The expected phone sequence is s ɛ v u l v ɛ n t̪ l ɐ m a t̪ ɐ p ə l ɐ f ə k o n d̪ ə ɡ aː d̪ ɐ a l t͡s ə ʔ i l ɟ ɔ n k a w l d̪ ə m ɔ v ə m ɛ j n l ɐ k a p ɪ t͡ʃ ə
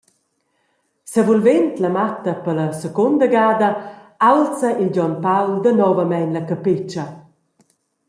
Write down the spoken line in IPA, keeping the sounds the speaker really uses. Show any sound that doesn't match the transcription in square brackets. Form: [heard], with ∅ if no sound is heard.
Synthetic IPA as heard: s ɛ v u l v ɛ n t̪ l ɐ m a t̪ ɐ p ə l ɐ [s] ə k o n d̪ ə ɡ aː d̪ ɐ a l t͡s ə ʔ i l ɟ ɔ n [p] a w l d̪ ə [n] ɔ v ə m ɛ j n l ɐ k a p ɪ t͡ʃ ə